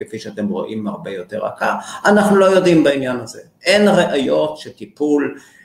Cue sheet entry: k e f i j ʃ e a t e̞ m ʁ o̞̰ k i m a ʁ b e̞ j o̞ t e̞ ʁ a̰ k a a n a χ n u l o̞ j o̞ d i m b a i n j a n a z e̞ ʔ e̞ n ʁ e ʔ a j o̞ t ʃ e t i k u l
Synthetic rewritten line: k e f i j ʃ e a t e̞ m ʁ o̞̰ ʔ i m a ʁ b e̞ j o̞ t e̞ ʁ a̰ k a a n a χ n u l o̞ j o̞ d i m b a i n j a n a z e̞ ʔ e̞ n ʁ e ʔ a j o̞ t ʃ e t i p u l